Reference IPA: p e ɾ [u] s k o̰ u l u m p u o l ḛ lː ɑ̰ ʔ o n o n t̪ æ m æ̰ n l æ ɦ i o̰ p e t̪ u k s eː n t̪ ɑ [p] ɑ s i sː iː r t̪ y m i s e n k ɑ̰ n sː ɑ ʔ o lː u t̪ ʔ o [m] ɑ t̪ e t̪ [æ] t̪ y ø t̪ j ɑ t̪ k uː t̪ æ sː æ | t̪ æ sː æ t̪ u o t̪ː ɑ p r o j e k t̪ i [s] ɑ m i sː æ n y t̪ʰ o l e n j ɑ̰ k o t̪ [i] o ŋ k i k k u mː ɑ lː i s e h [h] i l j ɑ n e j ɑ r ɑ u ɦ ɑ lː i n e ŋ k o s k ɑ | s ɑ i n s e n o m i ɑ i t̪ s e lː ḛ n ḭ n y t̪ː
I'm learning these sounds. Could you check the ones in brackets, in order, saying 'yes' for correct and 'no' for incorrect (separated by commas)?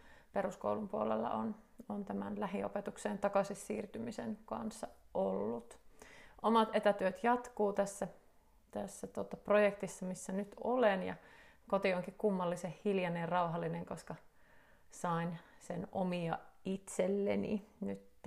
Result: yes, no, yes, yes, no, yes, yes